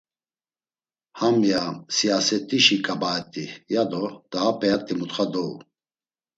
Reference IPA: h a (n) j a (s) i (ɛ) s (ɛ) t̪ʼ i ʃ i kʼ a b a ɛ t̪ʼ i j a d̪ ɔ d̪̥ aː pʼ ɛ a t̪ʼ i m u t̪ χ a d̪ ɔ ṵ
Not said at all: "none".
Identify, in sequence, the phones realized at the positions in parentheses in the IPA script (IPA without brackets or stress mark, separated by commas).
m, s, a, ɛ